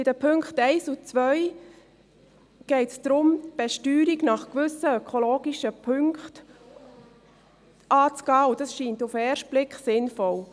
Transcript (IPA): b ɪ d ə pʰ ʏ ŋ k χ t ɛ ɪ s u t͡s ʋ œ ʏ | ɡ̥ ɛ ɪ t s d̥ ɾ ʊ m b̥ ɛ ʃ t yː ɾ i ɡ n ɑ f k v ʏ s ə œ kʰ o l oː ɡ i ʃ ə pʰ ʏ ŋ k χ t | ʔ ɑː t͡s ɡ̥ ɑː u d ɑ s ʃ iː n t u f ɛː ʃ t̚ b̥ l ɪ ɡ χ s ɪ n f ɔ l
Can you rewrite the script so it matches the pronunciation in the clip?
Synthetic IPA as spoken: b ɪ d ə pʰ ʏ ŋ k χ t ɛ ɪ s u t͡s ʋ œ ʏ | ɡ̥ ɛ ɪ t s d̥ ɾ ʊ m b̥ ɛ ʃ t yː ɾ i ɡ n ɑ χ k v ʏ s ə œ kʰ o l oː ɡ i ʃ ə pʰ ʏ ŋ k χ t | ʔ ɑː t͡s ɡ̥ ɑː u d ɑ s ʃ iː n t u f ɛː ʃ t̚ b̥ l ɪ k χ s ɪ n f ɔ l